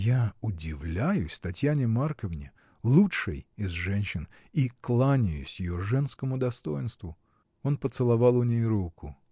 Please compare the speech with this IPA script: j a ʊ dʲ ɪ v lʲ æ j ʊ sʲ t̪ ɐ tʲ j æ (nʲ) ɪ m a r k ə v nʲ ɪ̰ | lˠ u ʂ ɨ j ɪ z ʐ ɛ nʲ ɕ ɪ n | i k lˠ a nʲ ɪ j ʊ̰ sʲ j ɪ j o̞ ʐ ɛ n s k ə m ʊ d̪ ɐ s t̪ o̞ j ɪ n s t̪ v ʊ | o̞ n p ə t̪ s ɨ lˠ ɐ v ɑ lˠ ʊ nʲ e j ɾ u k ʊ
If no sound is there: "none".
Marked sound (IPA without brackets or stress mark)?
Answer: nʲ